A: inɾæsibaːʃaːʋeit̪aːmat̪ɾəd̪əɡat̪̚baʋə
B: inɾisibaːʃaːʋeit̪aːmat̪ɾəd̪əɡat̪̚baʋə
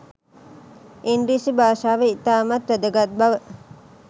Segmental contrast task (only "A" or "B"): B